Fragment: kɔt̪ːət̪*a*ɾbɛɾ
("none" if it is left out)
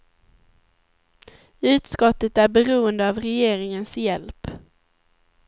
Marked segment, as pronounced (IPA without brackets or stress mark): æ